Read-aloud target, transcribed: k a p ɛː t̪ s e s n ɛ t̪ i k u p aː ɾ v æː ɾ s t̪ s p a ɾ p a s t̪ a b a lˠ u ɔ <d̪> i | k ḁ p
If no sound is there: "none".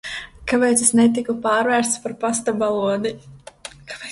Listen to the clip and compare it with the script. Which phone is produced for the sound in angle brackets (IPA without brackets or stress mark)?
d̪